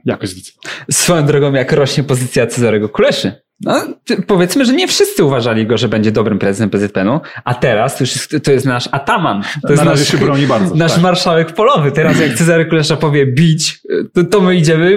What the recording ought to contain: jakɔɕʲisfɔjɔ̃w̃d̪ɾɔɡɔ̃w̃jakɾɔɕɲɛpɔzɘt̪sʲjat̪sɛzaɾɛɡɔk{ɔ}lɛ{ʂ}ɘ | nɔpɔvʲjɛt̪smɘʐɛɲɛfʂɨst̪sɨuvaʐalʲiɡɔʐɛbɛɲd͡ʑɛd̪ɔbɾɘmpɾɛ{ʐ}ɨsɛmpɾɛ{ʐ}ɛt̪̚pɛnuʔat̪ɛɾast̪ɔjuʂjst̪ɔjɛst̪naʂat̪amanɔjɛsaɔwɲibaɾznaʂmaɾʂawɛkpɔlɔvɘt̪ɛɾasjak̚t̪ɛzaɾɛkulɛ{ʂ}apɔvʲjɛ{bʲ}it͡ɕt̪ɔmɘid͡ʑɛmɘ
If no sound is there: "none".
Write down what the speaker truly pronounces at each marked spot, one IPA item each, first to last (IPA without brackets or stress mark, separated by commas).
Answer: u, ʂ, z, z, ʂ, bʲ